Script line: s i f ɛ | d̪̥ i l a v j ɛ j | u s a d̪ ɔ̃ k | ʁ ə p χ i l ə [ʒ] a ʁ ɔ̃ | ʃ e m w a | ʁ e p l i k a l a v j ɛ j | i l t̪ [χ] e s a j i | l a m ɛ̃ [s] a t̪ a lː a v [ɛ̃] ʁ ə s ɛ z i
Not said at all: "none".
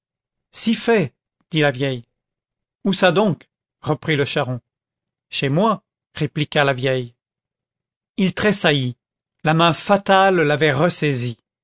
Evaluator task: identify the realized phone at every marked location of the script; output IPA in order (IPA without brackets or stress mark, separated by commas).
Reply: ʃ, χ, f, ɛ